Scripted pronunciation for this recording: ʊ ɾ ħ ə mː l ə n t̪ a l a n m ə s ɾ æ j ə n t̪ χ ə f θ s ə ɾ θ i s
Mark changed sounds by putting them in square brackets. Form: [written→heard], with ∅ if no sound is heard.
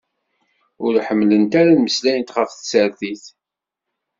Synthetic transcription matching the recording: ʊ ɾ ħ ə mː l ə n t̪ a [l→ɾ] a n m ə s [ɾ→l] æ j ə n t̪ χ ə f θ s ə ɾ θ i [s→θ]